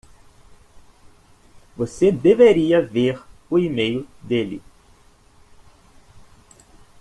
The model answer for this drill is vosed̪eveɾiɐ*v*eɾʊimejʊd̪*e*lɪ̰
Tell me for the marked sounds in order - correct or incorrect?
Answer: correct, correct

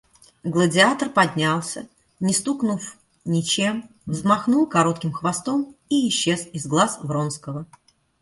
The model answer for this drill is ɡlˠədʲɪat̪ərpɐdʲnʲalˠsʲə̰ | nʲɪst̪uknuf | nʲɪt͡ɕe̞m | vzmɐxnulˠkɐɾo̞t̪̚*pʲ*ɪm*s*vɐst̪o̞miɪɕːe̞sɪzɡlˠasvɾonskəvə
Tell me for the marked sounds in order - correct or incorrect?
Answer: incorrect, incorrect

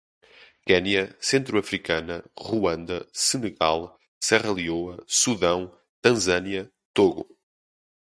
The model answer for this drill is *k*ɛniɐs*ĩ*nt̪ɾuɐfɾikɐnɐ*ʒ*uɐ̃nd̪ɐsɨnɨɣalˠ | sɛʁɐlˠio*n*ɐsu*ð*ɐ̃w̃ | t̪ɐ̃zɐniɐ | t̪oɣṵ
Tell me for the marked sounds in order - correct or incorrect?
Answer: correct, incorrect, incorrect, incorrect, correct

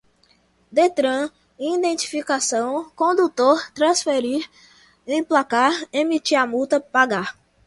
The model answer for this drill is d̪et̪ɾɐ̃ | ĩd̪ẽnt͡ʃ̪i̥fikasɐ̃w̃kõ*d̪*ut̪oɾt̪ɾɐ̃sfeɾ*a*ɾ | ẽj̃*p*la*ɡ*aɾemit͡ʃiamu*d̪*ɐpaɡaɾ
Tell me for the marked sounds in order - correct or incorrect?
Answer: correct, incorrect, correct, incorrect, incorrect

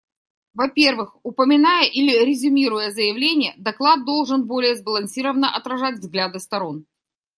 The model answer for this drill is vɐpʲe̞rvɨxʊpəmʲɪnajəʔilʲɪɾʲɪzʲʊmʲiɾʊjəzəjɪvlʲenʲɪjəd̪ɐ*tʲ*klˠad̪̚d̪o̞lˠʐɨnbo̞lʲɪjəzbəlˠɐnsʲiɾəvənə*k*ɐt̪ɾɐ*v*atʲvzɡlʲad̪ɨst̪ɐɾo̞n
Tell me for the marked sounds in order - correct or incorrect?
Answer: incorrect, incorrect, incorrect

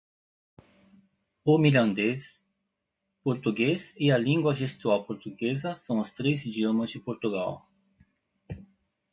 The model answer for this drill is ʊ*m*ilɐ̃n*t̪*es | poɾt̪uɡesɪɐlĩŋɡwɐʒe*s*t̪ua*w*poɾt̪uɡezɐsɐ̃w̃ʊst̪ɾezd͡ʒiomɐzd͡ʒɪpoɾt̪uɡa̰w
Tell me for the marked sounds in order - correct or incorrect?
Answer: correct, incorrect, correct, correct

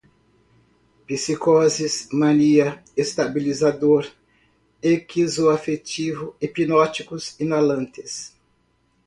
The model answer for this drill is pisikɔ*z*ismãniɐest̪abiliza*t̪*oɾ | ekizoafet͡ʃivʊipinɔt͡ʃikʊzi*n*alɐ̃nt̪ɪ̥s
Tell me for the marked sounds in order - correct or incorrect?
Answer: correct, incorrect, correct

